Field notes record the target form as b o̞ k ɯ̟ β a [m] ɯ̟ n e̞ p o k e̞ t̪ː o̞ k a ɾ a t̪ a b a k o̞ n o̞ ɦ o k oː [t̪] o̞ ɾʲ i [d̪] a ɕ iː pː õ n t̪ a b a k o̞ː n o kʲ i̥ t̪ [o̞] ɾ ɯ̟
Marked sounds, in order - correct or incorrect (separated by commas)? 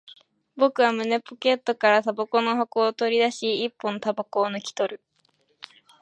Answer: correct, correct, correct, correct